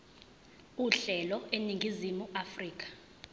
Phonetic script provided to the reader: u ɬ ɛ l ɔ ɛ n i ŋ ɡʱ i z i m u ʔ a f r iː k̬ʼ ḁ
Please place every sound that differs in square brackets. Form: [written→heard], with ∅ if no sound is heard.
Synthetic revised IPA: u ɬ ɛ l ɔ [ɛ→e] n i ŋ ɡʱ i z i m u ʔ a f r iː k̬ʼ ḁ